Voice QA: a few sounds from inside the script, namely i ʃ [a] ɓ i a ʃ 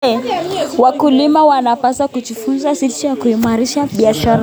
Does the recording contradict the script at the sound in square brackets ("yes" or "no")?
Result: no